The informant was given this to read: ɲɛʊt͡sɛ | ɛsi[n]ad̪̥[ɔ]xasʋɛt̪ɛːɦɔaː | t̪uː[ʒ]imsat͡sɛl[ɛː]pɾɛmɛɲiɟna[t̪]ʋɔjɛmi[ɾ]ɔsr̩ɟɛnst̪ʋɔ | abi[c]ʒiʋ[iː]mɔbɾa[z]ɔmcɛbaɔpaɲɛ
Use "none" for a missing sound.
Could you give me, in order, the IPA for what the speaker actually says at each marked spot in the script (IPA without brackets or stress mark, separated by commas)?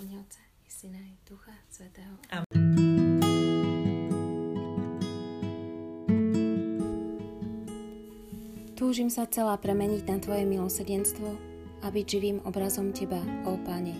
n, u, ʒ, aː, t̪, l, ɟ, iː, z